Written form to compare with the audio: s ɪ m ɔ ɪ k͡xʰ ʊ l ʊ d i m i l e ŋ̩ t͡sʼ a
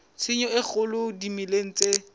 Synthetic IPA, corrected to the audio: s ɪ ɲ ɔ ɪ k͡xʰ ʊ l ʊ d i m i l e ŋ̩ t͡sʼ e